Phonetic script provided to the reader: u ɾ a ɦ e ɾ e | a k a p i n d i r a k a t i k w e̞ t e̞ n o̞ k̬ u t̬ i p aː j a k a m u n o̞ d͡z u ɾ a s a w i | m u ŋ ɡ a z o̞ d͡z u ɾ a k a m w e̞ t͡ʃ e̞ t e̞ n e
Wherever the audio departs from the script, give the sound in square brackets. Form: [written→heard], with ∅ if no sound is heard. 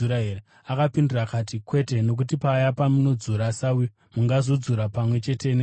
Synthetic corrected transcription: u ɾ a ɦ e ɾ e | a k a p i n d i r a k a t i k w e̞ t e̞ n o̞ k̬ u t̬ i p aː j a [k→p] a m u n o̞ d͡z u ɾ a s a w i | m u ŋ ɡ a z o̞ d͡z u ɾ a [k→p] a m w e̞ t͡ʃ e̞ t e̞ n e